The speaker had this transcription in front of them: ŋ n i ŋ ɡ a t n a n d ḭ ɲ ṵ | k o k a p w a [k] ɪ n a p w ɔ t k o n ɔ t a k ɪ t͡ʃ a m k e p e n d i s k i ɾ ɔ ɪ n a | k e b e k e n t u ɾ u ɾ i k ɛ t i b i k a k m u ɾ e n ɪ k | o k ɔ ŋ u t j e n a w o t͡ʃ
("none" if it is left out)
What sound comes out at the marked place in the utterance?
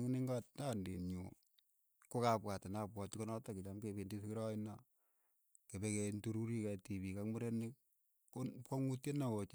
t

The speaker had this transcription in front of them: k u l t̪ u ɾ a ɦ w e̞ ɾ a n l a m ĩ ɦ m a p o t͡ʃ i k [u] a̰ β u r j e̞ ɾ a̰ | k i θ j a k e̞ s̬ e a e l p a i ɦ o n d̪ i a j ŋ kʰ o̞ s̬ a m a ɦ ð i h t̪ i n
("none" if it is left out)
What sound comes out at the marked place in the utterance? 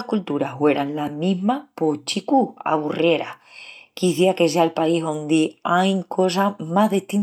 u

